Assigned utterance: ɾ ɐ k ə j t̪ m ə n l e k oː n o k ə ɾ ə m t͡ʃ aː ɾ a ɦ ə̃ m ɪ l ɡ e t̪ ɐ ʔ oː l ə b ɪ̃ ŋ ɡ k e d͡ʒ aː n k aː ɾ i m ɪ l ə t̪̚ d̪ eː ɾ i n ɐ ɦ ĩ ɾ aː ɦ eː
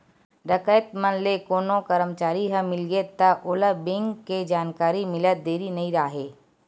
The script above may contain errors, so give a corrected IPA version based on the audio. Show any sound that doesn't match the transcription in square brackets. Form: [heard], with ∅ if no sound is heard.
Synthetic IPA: ɾ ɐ k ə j t̪ m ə n l e k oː n o k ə ɾ ə m t͡ʃ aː ɾ [i] ɦ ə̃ m ɪ l ɡ e t̪ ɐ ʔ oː l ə b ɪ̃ ŋ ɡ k e d͡ʒ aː n k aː ɾ i m ɪ l ə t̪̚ d̪ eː ɾ i n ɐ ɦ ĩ ɾ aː ɦ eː